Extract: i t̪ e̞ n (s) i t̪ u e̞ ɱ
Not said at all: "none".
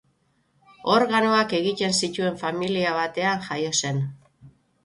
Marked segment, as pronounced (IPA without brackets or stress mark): s